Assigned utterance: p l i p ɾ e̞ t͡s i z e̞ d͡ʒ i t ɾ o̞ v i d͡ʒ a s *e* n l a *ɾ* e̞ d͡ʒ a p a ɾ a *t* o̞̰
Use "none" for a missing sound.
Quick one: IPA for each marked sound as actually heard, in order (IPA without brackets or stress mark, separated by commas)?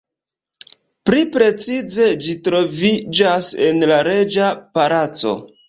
e, ɾ, t͡s